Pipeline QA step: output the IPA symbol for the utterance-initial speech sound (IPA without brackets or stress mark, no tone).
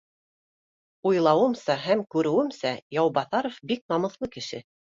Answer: u